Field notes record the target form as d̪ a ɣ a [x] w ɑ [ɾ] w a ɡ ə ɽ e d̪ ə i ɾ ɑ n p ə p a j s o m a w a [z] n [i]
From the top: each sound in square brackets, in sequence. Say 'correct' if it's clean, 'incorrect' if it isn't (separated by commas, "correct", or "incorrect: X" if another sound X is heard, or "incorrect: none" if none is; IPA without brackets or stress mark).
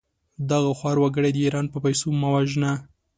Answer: correct, correct, incorrect: ʒ, incorrect: a